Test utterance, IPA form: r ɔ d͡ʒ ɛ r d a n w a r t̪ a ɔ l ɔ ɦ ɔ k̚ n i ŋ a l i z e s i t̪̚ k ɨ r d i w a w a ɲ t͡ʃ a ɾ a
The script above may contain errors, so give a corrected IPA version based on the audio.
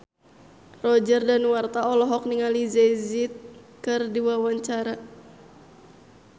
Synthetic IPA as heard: r ɔ d͡ʒ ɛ r d a n w a r t̪ a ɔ l ɔ ɦ ɔ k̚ n i ŋ a l i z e z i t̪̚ k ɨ r d i w a w a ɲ t͡ʃ a ɾ a